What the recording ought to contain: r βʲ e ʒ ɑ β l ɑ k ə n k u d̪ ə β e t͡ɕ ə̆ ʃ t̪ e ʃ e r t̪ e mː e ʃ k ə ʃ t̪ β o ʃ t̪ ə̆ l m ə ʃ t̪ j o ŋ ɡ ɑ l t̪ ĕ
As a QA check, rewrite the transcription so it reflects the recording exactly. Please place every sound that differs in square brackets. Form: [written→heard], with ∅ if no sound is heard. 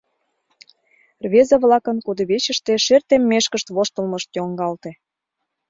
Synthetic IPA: r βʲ e [ʒ→z] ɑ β l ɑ k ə n k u d̪ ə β e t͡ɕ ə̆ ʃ t̪ e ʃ e r t̪ e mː e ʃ k ə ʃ t̪ β o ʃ t̪ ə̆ l m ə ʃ t̪ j o ŋ ɡ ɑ l t̪ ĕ